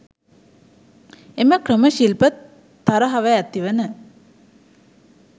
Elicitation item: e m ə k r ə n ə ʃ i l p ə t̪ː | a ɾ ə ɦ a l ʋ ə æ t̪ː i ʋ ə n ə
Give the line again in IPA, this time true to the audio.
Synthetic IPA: e m ə k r ə m ə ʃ i l p ə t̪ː | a ɾ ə ɦ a ʋ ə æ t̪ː i ʋ ə n ə